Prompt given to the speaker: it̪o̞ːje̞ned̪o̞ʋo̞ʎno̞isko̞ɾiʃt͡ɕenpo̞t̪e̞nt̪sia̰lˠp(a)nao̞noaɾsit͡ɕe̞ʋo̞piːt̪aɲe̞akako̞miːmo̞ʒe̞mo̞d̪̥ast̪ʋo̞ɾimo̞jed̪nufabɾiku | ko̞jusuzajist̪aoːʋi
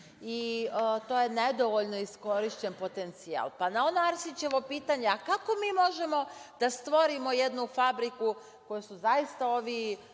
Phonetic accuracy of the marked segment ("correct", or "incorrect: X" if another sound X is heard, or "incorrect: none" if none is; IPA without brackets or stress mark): correct